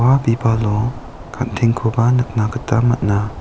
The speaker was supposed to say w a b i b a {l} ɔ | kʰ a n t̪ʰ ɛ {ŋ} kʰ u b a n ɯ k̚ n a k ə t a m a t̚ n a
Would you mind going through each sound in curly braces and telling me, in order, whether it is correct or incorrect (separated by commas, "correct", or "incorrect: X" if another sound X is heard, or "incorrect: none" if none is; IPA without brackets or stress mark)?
correct, correct